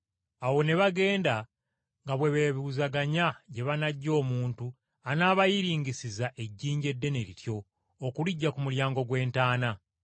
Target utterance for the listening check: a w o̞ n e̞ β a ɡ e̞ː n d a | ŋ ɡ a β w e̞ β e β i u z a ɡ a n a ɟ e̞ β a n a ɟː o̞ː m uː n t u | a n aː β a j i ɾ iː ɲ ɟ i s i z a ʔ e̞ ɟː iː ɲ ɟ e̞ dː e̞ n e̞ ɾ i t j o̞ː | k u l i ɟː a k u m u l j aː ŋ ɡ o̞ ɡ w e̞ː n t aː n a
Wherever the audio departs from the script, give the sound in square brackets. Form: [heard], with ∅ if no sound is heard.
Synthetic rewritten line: a w o̞ n e̞ β a ɡ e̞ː n d a | ŋ ɡ a β w e̞ β e β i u z a ɡ a [ɲ] a ɟ e̞ β a n a ɟː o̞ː m uː n t u | a n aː β a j i ɾ iː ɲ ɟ i s i z a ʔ e̞ ɟː iː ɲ ɟ e̞ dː e̞ n e̞ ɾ i t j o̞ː | k u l i ɟː a k u m u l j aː ŋ ɡ o̞ ɡ w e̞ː n t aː n a

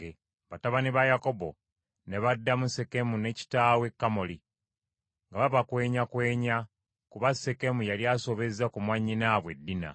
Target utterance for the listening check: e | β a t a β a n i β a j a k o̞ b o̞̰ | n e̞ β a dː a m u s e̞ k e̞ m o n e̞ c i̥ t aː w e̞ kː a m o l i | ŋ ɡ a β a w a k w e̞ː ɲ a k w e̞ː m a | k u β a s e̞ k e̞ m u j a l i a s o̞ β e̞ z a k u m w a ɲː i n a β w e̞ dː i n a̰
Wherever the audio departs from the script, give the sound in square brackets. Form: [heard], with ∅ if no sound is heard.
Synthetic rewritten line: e | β a t a β a n i β a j a k o̞ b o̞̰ | n e̞ β a dː a m u s e̞ k e̞ m [u] n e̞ c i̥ t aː w e̞ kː a m o l i | ŋ ɡ a β a [β] a k w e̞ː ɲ a k w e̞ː [ɲ] a | k u β a s e̞ k e̞ m u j a l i a s o̞ β e̞ z a k u m w a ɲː i n a β w e̞ dː i n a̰

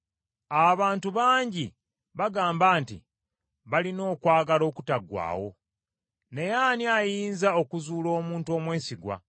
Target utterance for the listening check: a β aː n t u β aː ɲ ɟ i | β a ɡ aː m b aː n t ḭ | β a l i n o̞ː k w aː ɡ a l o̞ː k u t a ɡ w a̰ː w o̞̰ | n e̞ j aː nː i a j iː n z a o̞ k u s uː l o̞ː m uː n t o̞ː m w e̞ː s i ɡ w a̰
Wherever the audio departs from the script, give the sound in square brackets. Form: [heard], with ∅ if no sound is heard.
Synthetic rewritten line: a β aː n t u β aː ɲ ɟ i | β a ɡ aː m b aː n t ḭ | β a l i n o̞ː k w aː ɡ a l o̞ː k u t a ɡ w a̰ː w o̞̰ | n e̞ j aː [n] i a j iː n z a o̞ k u [z] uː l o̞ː m uː n t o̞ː m w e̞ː s i ɡ w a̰

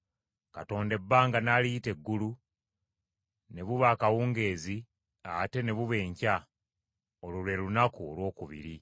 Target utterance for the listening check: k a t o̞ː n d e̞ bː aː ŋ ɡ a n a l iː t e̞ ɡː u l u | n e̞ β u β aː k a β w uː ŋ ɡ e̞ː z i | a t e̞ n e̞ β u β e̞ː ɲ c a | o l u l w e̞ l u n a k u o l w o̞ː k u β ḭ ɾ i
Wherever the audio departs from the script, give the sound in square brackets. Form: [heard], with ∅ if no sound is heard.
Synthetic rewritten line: k a t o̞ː n d e̞ bː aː ŋ ɡ a n a l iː t e̞ ɡː u l u | n e̞ β u β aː k a [∅] w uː ŋ ɡ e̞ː z i | a t e̞ n e̞ β u β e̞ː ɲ c a | o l u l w e̞ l u n a k u o l w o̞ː k u β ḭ ɾ i

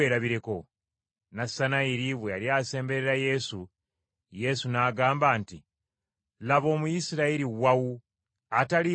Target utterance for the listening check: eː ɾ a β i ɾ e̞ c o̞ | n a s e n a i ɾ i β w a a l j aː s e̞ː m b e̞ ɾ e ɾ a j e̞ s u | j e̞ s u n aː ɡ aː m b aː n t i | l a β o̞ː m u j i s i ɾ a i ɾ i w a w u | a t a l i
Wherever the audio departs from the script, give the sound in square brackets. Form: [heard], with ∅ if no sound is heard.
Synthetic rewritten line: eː ɾ a β i ɾ e̞ [k] o̞ | n a s [a] n a i ɾ i β w [e] a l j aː s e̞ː m b e̞ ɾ e ɾ a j e̞ s u | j e̞ s u n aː ɡ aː m b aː n t i | l a β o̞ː m u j i s i ɾ a i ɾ i w a w u | a t a l i

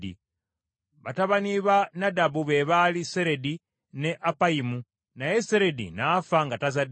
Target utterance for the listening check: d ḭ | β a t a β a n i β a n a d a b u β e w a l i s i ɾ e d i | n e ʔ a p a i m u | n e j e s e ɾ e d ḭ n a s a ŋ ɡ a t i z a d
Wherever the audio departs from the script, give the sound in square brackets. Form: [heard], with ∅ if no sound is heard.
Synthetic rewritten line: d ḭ | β a t a β a n i β a n a d a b u β e [β] a l i s [e] ɾ e d i | n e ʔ a p a i m u | n [a] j e s e ɾ e d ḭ n a [f] a ŋ ɡ a t [a] z a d

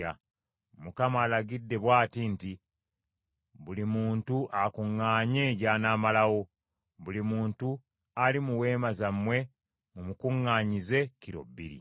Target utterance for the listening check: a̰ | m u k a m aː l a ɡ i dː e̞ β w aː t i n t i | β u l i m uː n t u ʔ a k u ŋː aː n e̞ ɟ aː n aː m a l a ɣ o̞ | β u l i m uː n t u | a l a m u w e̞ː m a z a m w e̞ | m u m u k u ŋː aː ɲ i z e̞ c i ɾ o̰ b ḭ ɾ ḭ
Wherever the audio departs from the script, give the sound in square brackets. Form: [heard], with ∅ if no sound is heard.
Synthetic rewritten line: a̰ | m u k a m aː l a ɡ i dː e̞ β w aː t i n t i | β u l i m uː n t u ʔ a k u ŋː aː [ɲ] e̞ ɟ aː n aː m a l a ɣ o̞ | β u l i m uː n t u | a l [i] m u w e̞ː m a z a m w e̞ | m u m u k u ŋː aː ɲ i z e̞ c i ɾ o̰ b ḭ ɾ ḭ

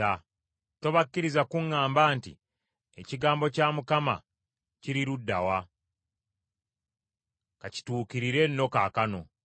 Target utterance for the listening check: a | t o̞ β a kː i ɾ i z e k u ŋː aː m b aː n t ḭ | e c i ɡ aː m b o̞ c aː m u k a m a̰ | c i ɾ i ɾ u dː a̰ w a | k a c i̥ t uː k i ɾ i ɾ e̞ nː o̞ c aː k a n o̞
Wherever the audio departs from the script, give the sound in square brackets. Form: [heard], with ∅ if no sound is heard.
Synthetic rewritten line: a | t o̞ β a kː i ɾ i z [a] k u ŋː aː m b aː n t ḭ | e c i ɡ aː m b o̞ c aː m u k a m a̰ | c i ɾ i ɾ u dː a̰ w a | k a c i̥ t uː k i ɾ i ɾ e̞ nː o̞ [k] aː k a n o̞

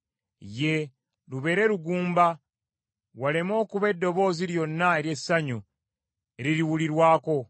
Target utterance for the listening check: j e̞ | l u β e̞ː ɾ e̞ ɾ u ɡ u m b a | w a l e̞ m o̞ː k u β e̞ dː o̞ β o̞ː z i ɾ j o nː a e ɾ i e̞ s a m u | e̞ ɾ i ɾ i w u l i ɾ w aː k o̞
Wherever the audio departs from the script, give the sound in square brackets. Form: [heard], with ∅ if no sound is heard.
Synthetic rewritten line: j e̞ | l u β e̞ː ɾ e̞ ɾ u ɡ [uː] m b a | w a l e̞ m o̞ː k u β e̞ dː o̞ β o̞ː z i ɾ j o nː a e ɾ [j] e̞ s a [ɲ] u | e̞ ɾ i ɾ i w u l i ɾ w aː k o̞

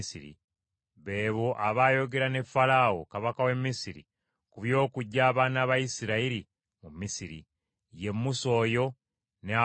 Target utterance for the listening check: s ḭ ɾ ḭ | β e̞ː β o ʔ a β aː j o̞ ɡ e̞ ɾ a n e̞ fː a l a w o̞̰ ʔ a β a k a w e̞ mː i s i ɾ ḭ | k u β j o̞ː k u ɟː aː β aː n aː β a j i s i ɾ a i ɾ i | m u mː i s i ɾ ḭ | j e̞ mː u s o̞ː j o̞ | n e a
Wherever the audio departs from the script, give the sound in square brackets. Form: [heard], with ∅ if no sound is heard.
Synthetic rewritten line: s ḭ ɾ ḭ | β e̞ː β o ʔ a β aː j o̞ ɡ e̞ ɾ a n e̞ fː a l a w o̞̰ [k] a β a k a w e̞ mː i s i ɾ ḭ | k u β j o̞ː k u ɟː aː β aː n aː β a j i s i ɾ a i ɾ i | m u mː i s i ɾ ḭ | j e̞ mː u s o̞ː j o̞ | n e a

